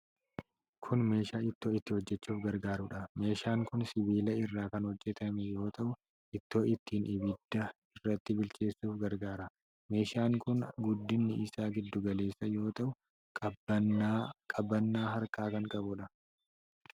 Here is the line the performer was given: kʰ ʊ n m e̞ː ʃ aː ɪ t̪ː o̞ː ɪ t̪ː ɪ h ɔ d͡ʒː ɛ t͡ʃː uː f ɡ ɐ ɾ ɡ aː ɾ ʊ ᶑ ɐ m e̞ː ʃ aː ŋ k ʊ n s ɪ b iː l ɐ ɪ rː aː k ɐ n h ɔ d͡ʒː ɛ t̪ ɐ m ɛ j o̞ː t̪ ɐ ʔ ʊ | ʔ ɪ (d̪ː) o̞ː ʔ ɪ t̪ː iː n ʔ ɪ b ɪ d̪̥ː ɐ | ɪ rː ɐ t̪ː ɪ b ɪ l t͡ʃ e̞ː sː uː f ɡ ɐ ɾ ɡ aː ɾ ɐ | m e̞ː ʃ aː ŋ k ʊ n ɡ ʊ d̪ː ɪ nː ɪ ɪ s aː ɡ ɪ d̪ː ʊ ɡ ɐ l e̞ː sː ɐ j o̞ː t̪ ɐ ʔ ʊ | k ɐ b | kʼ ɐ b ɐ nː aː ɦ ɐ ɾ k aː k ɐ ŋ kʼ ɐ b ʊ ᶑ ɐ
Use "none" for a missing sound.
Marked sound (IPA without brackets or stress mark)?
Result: t̪ː